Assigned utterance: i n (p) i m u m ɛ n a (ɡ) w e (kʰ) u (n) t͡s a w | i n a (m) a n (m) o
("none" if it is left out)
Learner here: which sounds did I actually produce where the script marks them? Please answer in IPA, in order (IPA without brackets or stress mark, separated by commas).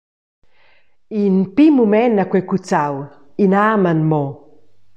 p, k, k, none, m, m